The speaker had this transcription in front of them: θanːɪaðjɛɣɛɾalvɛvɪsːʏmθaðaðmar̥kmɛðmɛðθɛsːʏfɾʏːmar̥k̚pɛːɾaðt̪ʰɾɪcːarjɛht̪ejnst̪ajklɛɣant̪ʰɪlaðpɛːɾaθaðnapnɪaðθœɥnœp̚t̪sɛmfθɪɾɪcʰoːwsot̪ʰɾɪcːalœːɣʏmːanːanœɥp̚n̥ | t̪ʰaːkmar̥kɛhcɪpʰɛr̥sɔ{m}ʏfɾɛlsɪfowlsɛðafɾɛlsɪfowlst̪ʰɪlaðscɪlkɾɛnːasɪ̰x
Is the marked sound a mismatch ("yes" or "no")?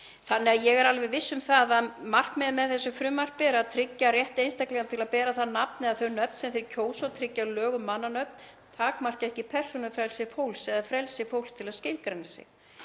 yes